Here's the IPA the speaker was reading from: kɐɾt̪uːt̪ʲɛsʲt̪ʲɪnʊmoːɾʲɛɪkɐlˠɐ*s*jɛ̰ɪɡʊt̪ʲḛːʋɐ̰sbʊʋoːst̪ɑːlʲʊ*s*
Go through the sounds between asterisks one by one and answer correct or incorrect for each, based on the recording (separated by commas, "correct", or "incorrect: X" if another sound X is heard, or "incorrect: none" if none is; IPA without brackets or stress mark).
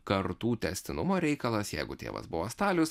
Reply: correct, correct